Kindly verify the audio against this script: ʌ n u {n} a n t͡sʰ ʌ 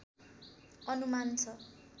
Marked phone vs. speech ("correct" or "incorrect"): incorrect